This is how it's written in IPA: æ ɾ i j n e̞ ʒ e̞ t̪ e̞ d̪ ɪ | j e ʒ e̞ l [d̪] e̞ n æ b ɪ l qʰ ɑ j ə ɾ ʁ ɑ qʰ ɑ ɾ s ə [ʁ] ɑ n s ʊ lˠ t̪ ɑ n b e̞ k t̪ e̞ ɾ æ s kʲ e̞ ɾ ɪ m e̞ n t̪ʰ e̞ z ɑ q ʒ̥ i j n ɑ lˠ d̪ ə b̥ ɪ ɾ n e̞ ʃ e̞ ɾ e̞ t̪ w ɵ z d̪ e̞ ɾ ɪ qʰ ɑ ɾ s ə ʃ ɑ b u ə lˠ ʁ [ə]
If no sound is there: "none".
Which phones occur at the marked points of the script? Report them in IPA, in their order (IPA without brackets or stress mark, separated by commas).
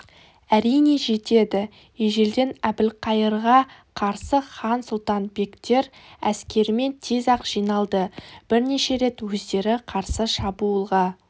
d̪, χ, ɑ